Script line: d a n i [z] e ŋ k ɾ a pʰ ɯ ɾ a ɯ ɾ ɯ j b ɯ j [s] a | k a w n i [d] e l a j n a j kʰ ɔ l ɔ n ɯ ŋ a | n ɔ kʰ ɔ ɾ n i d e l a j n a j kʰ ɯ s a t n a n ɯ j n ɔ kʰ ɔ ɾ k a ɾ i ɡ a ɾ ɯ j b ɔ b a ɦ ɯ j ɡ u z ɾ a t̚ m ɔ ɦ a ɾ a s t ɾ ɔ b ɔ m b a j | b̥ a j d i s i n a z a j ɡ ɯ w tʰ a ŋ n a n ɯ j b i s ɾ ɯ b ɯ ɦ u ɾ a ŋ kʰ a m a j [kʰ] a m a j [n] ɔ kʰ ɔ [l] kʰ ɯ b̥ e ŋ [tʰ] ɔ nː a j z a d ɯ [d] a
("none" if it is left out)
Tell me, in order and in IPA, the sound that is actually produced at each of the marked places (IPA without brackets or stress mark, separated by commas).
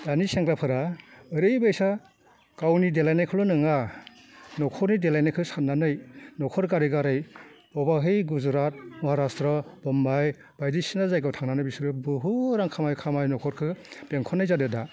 s, s, d, kʰ, n, ɾ, kʰ, d